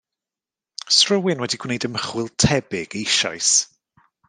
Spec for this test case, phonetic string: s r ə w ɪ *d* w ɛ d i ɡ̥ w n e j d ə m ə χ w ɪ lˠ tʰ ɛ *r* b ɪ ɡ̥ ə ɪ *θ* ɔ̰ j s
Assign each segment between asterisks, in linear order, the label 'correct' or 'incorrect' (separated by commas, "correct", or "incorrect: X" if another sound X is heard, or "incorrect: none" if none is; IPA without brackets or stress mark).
incorrect: n, incorrect: none, incorrect: ʃ